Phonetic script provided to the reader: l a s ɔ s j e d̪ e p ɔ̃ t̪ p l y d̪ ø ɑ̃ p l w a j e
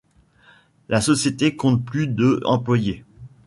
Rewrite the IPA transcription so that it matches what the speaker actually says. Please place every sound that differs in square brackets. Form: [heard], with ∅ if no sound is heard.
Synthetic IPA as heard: l a s ɔ s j e [t̪] e [k] ɔ̃ t̪ p l y d̪ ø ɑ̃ p l w a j e